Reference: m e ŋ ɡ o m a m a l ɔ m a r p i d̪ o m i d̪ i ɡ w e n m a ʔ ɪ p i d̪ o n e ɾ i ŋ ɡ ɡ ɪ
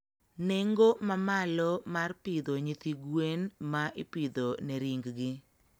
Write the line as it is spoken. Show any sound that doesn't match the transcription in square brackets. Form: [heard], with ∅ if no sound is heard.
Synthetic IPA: [n] e ŋ ɡ o m a m a l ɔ m a r p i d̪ o [ɲ] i [t̪] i ɡ w e n m a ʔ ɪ p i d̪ o n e ɾ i ŋ ɡ ɡ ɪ